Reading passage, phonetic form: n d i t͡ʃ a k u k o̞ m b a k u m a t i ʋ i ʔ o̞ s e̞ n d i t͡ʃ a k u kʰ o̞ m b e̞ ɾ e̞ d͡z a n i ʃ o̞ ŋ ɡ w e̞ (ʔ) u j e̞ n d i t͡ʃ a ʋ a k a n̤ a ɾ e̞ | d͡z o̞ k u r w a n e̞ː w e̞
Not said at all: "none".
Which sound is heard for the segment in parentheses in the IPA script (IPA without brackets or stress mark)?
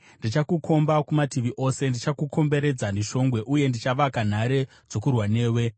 ʔ